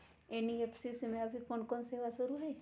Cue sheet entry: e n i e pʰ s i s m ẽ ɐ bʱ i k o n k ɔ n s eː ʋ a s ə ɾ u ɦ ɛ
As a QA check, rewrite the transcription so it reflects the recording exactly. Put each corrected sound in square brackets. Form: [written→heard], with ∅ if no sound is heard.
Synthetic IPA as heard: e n i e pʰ s i s m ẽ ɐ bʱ i k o n k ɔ n s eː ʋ a s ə ɾ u ɦ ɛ